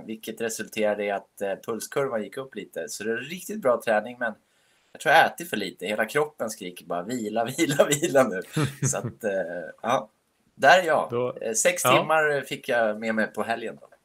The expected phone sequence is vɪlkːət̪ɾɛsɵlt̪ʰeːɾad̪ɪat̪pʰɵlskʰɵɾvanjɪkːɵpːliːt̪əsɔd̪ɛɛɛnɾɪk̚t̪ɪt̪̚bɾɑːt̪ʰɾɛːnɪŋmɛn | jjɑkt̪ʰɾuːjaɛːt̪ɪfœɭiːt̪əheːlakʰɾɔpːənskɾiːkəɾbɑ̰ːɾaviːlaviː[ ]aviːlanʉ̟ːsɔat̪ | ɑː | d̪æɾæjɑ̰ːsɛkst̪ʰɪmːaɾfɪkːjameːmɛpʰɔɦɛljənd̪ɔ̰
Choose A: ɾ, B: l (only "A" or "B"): B